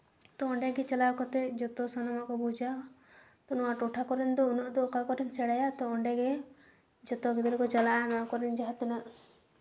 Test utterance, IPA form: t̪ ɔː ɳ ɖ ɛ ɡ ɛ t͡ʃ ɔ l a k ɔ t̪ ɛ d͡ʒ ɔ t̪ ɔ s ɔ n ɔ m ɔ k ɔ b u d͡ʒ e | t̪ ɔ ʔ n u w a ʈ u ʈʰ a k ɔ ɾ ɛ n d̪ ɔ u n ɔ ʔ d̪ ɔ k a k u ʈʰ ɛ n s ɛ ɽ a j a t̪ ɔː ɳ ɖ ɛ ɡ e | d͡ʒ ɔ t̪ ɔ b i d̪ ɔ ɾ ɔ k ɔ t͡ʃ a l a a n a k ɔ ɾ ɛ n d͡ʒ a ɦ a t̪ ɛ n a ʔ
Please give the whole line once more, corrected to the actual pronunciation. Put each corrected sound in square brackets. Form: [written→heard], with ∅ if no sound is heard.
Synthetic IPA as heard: t̪ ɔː ɳ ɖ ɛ ɡ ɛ t͡ʃ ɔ l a k ɔ t̪ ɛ d͡ʒ ɔ t̪ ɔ s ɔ n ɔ m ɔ k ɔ b u d͡ʒ [e→a] | t̪ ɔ [ʔ→∅] n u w a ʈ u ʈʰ a k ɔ ɾ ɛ n d̪ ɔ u n ɔ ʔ d̪ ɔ k a k [u→ɔ] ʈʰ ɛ n s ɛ ɽ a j a t̪ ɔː ɳ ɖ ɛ ɡ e | d͡ʒ ɔ t̪ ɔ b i d̪ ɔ ɾ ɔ k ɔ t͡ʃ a l a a n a k ɔ ɾ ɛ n d͡ʒ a ɦ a t̪ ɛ n a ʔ